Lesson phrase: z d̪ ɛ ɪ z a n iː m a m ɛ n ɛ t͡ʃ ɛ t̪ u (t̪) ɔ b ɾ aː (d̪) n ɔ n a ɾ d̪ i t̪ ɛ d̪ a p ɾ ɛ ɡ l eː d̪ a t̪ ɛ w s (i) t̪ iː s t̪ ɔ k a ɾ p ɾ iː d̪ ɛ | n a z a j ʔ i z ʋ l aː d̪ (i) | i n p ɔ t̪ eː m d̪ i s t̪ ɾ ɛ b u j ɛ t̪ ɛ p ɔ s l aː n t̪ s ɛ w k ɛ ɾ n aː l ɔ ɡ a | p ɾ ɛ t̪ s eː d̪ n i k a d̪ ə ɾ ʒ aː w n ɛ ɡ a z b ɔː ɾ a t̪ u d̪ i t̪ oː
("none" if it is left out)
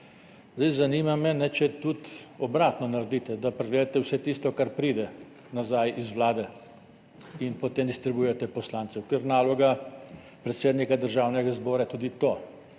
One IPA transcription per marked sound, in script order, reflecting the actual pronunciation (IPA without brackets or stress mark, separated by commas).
t̪, t̪, ɛ, ɛ